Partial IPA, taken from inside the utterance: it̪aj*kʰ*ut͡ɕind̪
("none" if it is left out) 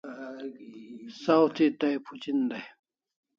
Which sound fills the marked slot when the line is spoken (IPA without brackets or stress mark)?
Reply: pʰ